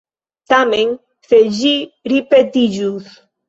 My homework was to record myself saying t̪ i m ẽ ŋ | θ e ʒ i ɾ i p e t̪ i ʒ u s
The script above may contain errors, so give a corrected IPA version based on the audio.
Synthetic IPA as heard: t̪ a m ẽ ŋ | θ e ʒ i ɾ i p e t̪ i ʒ u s